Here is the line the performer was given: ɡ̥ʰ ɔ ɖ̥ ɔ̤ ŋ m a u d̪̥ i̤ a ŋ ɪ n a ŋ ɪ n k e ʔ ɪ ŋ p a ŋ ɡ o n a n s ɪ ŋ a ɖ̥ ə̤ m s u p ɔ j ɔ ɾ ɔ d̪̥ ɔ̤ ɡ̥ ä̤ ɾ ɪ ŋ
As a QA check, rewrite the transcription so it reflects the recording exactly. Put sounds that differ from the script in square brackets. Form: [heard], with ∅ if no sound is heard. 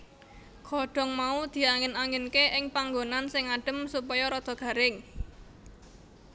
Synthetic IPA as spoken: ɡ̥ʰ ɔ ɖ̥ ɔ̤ ŋ m a u d̪̥ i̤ a ŋ ɪ n a ŋ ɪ n k e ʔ ɪ ŋ p a ŋ ɡ o n a n s ɪ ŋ a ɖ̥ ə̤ m s u p ɔ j ɔ ɾ ɔ d̪̥ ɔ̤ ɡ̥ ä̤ ɾ ɪ ŋ